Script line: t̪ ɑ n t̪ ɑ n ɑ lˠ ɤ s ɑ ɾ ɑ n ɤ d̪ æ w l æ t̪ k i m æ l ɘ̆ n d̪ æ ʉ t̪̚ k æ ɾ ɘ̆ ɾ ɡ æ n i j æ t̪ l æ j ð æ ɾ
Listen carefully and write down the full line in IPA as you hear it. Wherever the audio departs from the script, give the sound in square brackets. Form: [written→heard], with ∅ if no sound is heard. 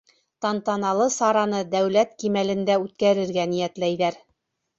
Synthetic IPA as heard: t̪ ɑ n t̪ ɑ n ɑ lˠ ɤ s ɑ ɾ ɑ n ɤ d̪ æ w l æ t̪ k i m æ l ɘ̆ n d̪ æ ʉ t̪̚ k æ ɾ ɘ̆ ɾ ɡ æ n i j æ t̪ l æ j ð æ ɾ